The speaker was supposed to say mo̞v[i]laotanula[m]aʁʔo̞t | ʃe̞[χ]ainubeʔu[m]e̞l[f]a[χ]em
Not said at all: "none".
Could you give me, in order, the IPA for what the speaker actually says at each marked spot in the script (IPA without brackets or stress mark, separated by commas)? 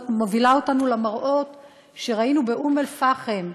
i, m, ʁ, m, f, χ